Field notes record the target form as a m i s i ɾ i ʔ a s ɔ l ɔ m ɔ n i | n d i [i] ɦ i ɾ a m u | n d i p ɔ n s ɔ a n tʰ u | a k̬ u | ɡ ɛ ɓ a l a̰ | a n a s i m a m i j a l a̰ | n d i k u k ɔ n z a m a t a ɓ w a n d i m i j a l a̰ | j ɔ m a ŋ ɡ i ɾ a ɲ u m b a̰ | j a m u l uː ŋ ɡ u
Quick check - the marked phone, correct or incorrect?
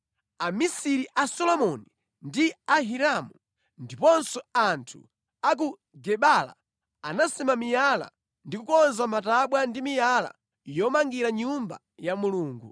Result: incorrect